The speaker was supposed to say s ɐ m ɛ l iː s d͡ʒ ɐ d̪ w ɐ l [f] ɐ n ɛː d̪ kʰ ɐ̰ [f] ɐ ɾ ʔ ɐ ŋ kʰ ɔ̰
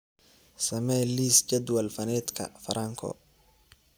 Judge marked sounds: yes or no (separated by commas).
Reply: yes, yes